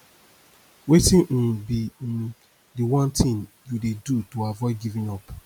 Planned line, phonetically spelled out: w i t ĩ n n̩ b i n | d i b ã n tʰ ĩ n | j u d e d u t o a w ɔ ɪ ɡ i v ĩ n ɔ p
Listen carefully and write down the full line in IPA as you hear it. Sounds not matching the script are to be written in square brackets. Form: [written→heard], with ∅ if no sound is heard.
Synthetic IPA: w [i→e] t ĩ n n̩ b i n | d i [b→w] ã n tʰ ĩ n | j u d e d u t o a [w→v] ɔ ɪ ɡ i v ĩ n ɔ p